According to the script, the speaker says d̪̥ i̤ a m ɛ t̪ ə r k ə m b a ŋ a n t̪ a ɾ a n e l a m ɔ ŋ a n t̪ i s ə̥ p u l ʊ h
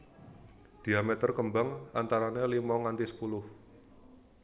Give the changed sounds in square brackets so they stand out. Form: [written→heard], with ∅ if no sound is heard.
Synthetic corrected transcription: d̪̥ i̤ a m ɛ t̪ ə r k ə m b a ŋ a n t̪ a ɾ a n e l [a→i] m ɔ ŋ a n t̪ i s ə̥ p u l ʊ h

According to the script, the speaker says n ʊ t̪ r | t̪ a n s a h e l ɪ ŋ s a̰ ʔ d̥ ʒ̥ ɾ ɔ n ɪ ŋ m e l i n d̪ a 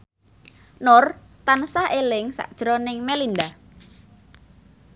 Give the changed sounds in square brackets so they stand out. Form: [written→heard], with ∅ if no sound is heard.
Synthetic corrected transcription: n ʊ [t̪→∅] r | t̪ a n s a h e l ɪ ŋ s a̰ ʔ d̥ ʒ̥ ɾ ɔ n ɪ ŋ m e l i n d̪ a

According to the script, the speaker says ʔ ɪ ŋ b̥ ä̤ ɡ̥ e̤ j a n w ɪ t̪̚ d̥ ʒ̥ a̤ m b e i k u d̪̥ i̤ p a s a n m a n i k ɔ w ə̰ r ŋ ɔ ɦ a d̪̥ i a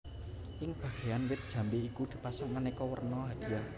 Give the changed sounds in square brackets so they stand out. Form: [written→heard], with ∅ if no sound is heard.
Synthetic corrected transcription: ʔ ɪ ŋ b̥ ä̤ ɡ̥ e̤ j a n w ɪ t̪̚ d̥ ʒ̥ a̤ m b e i k u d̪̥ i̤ p a s a [n→ŋ] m a n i k ɔ w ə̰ r [ŋ→n] ɔ ɦ a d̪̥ i a

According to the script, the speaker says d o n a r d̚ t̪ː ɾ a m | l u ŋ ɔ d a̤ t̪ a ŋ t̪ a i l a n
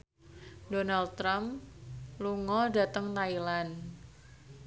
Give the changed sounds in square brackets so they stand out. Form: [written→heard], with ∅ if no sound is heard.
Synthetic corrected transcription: d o n a [r→l] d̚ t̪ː ɾ a m | l u ŋ ɔ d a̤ t̪ [a→ə] ŋ t̪ a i l a n

